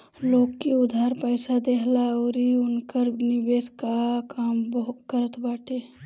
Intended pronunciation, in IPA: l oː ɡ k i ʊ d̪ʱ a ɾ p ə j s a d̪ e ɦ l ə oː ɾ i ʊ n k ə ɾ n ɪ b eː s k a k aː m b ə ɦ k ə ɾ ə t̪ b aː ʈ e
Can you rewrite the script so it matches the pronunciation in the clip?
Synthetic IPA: l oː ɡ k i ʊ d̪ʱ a ɾ p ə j s a d̪ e ɦ l a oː ɾ i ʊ n k ə ɾ n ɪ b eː s k a k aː m b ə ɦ k ə ɾ ə t̪ b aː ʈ e